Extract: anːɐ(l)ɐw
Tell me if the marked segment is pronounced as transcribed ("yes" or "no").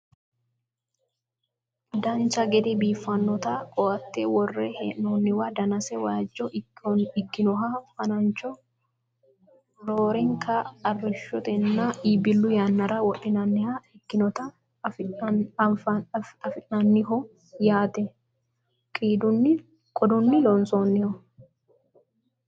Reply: no